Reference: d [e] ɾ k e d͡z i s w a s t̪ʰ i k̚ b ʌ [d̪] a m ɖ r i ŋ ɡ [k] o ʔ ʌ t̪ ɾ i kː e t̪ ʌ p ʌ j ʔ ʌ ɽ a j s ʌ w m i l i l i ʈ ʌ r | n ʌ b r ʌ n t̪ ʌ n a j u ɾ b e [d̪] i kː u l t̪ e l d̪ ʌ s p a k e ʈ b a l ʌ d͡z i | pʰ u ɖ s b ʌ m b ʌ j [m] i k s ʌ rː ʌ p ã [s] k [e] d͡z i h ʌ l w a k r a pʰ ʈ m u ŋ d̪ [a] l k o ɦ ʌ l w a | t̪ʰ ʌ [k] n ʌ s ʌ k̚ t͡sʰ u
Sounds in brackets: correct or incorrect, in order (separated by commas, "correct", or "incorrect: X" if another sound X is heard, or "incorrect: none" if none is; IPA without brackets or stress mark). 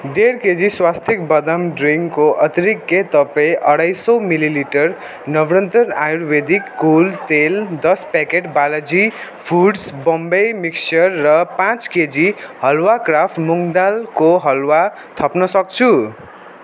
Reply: correct, correct, correct, correct, correct, incorrect: t͡s, correct, correct, incorrect: p